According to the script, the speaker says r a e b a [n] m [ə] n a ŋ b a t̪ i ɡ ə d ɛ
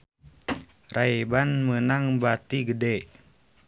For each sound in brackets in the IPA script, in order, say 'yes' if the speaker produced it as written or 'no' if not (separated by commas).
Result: yes, yes